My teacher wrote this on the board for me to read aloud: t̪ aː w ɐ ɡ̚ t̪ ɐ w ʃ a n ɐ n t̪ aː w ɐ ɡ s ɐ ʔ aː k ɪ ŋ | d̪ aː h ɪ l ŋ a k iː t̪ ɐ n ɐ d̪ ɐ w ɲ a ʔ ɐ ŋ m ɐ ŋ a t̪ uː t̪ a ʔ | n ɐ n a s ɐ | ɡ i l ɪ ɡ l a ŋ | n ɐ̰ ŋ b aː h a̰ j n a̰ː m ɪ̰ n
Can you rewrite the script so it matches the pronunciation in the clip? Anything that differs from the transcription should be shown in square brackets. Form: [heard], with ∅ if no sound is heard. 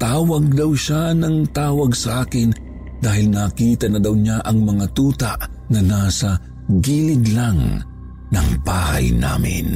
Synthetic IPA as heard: t̪ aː w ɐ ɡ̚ [d̪] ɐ w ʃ a n ɐ [ŋ] t̪ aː w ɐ ɡ s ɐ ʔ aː k ɪ [n] | d̪ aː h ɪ l [n] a k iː t̪ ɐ n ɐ d̪ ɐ w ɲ a ʔ ɐ ŋ m ɐ ŋ a t̪ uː t̪ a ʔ | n ɐ n a s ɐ | ɡ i l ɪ ɡ l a ŋ | n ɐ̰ ŋ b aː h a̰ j n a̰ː m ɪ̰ n